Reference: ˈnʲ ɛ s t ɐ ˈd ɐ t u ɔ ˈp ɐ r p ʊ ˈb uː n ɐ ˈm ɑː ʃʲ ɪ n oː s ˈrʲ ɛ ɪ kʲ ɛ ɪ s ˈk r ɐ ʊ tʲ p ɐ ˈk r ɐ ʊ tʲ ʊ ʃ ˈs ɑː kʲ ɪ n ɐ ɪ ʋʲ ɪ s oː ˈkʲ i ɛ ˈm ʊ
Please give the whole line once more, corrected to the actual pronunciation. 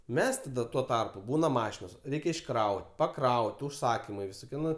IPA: ˈmʲ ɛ s t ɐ ˈd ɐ t u ɔ ˈt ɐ r p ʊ ˈb uː n ɐ ˈm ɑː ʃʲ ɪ n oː s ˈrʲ ɛ ɪ kʲ ɛ ɪ ʃ ˈk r ɐ ʊ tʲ p ɐ ˈk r ɐ ʊ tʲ ʊ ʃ ˈs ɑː kʲ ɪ m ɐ ɪ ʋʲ ɪ s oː ˈkʲ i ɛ ˈn ʊ